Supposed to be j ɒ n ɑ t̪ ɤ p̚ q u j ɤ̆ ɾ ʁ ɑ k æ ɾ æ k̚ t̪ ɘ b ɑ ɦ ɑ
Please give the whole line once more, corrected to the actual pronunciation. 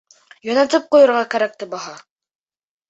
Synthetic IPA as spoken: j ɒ n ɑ t̪ ɤ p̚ q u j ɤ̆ ɾ ʁ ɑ k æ ɾ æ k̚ t̪ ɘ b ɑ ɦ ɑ